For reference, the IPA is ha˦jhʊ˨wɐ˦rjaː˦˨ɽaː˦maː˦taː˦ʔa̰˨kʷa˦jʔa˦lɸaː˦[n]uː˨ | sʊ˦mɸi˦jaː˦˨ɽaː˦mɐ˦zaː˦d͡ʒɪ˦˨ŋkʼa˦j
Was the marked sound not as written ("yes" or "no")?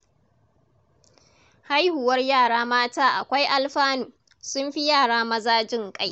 no